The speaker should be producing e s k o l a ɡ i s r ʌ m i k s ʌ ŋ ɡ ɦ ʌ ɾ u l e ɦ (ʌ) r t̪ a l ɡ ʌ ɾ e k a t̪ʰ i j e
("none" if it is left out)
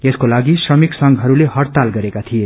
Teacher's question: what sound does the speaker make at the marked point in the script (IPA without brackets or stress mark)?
ʌ